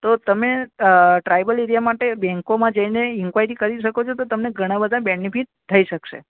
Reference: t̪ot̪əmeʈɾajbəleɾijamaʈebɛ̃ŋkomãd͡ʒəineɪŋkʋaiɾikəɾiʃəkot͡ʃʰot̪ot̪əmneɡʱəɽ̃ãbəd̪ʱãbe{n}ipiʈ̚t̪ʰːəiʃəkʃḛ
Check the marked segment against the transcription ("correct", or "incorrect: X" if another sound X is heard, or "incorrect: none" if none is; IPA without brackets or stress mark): correct